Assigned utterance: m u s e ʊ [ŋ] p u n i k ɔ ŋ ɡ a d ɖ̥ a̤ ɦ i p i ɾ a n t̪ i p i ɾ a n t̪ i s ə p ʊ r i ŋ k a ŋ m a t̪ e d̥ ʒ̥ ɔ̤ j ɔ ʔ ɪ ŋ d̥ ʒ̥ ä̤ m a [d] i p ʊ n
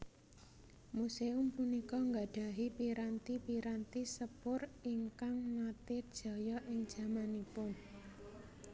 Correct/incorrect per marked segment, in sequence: incorrect: m, incorrect: n

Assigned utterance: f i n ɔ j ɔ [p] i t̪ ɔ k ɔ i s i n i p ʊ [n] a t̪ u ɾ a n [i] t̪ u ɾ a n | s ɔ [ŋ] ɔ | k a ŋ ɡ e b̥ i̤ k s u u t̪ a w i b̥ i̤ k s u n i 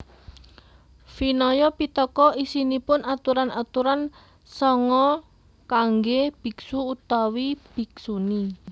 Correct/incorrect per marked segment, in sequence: correct, correct, incorrect: a, correct

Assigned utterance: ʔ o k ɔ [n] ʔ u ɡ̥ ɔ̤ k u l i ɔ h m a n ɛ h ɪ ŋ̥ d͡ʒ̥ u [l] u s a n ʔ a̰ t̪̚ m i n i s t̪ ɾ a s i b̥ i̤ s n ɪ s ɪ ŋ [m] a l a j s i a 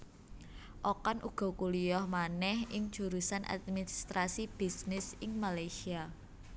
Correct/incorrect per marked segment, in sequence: correct, incorrect: ɾ, correct

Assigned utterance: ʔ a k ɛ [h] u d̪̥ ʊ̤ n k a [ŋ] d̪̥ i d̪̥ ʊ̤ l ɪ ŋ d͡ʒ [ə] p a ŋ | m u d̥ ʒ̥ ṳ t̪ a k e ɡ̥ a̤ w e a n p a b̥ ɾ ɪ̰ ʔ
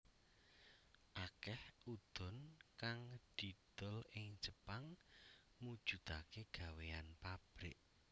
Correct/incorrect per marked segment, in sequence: correct, correct, correct

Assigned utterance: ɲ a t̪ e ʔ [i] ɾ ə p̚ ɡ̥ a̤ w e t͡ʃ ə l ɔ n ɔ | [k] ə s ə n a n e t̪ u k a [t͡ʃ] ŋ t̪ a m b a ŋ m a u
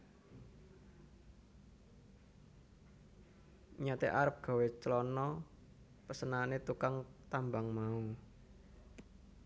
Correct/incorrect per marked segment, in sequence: incorrect: a, incorrect: p, incorrect: none

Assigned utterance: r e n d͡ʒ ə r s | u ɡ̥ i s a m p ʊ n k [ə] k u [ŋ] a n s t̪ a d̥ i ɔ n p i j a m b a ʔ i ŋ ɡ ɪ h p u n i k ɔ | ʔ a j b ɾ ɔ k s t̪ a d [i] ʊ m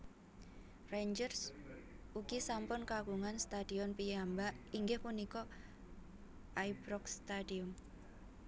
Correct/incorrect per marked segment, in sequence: incorrect: a, correct, correct

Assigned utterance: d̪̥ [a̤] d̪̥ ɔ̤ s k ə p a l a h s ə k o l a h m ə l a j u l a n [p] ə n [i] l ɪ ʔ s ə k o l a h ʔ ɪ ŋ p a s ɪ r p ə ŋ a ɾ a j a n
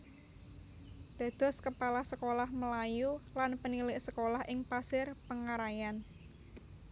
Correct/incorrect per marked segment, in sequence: correct, correct, correct

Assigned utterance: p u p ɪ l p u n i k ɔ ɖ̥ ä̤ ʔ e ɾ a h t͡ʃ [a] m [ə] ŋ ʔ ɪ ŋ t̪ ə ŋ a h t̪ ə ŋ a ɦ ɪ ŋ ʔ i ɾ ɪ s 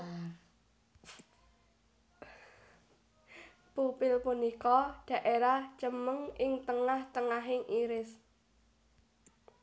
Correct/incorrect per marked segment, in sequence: incorrect: ə, correct

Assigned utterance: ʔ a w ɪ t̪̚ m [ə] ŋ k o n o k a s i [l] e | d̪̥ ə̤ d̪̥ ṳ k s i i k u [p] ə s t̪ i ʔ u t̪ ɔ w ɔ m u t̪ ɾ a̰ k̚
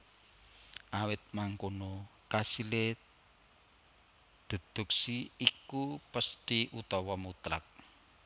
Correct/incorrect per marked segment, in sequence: incorrect: a, correct, correct

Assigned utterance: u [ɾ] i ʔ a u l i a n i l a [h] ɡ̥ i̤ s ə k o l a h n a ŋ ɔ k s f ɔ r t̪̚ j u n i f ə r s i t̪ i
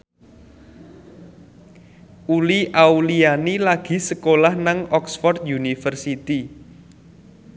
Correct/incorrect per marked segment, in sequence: incorrect: l, incorrect: none

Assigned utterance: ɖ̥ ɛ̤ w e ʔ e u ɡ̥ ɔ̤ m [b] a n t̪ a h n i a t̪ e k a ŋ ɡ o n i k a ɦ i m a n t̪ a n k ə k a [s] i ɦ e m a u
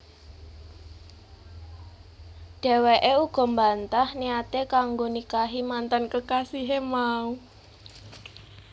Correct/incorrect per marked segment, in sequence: correct, correct

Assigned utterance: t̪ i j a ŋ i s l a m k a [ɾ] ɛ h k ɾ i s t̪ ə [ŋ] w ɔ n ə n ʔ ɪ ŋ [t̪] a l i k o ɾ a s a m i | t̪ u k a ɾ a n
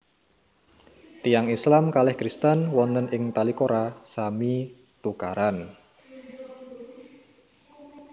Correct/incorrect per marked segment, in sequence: incorrect: l, incorrect: n, correct

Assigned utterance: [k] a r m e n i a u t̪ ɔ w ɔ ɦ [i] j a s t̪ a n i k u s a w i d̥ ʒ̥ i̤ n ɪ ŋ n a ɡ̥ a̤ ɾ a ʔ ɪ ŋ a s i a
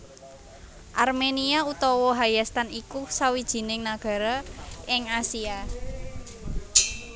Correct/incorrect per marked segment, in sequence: incorrect: ʔ, incorrect: a

